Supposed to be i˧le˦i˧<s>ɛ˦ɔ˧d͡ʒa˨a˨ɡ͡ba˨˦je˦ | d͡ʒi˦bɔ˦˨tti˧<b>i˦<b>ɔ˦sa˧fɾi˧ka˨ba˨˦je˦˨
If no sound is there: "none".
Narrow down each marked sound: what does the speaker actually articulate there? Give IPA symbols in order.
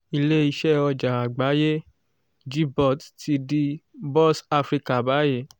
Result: ʃ, d, b

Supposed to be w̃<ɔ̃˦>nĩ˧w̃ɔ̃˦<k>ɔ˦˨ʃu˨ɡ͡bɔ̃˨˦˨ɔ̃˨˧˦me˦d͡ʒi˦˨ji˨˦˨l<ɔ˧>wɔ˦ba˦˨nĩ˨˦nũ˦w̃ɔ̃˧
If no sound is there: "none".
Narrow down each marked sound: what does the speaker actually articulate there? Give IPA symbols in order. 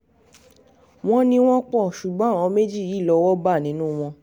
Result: ɔ̃˦, k͡p, ɔ˧

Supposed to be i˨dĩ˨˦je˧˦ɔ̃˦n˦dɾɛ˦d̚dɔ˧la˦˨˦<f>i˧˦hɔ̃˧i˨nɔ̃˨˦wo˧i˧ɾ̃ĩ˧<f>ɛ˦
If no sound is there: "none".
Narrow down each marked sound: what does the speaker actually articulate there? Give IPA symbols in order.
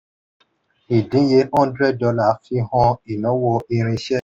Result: f, ʃ

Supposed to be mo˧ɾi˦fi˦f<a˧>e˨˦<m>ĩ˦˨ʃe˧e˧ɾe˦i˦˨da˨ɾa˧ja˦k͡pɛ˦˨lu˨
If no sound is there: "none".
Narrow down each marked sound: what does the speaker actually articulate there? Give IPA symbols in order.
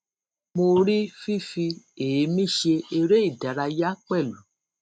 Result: i˧, m

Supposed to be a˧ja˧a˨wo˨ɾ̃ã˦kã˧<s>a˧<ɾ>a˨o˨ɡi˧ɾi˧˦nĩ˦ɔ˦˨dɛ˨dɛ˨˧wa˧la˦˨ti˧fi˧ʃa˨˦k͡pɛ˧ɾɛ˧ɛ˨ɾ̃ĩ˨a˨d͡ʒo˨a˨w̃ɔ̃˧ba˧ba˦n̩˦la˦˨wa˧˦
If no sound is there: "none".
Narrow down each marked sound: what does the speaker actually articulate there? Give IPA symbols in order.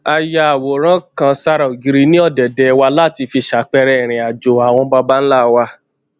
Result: s, ɾ

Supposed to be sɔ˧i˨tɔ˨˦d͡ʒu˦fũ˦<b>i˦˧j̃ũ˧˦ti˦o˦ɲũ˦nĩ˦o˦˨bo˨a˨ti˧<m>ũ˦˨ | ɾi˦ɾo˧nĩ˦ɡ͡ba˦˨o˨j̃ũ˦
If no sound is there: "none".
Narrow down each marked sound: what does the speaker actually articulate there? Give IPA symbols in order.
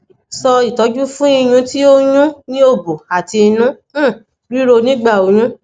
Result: none, n

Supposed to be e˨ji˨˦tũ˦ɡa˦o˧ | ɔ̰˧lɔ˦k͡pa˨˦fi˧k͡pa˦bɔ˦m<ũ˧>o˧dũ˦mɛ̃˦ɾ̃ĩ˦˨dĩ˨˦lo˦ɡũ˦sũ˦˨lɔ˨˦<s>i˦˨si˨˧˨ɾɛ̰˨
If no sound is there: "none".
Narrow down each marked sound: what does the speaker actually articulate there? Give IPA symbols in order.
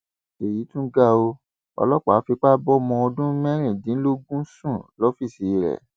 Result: ɔ̃˧, f

